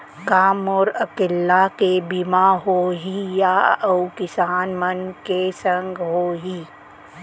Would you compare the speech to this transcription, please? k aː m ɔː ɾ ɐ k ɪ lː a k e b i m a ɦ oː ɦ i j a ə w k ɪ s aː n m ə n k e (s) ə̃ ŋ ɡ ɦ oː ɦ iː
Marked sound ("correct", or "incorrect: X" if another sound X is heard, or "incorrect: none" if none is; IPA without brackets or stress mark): correct